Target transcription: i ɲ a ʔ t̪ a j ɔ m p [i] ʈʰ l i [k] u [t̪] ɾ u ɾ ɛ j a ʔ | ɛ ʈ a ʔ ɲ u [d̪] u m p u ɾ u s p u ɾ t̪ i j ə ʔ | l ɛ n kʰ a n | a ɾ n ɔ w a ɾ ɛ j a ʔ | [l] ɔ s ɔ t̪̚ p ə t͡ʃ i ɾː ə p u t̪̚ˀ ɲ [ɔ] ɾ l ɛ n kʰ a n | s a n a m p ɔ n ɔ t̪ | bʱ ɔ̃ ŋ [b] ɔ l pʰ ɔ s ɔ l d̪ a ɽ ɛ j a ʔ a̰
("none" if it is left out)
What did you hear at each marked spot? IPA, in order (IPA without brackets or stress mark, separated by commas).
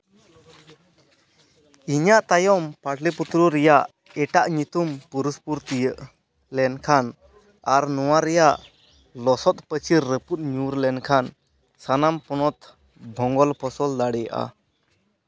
a, p, t̪, t̪, l, u, ɡ